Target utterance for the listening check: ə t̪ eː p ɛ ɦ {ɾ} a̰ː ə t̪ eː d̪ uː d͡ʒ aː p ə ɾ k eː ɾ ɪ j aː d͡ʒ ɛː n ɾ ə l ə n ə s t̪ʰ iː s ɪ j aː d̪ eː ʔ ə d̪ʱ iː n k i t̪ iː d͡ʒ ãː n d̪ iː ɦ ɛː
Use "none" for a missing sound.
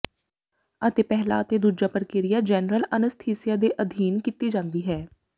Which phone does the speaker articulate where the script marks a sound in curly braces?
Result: l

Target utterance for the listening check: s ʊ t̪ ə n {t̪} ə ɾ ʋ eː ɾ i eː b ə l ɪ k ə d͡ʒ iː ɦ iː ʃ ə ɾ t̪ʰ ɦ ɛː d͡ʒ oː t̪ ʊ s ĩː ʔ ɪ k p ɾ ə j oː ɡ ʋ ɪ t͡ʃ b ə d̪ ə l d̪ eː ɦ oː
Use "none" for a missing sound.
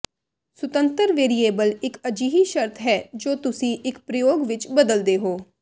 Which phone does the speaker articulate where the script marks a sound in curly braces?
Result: t̪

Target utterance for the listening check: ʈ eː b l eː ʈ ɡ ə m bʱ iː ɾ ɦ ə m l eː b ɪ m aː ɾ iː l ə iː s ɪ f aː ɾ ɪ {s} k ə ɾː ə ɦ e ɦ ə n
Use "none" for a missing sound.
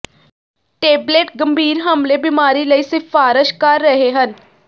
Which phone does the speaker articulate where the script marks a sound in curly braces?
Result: ʃ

